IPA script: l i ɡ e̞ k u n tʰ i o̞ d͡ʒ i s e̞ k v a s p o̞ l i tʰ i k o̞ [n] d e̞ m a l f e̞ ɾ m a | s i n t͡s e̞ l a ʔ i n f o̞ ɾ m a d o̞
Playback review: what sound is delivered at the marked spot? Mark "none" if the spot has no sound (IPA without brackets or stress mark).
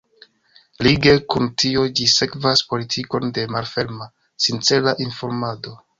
n